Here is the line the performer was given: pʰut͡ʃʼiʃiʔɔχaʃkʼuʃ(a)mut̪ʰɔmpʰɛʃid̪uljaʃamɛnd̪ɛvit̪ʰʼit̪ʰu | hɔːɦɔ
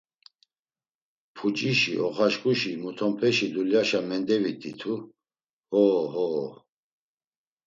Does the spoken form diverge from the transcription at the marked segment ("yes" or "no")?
yes